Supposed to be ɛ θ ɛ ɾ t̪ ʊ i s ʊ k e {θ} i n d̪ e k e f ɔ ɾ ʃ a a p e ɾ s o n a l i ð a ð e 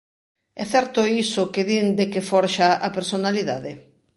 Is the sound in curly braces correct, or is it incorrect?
incorrect